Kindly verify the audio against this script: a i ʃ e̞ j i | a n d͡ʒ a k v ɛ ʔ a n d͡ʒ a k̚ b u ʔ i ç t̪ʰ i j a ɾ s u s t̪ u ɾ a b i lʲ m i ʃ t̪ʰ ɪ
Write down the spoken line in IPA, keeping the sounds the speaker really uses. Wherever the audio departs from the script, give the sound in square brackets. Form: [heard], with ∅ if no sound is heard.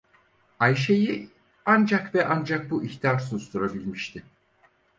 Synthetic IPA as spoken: a [j] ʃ e̞ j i | a n d͡ʒ a k v ɛ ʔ a n d͡ʒ a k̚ b u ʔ i ç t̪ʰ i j a ɾ s u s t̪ u ɾ a b i lʲ m i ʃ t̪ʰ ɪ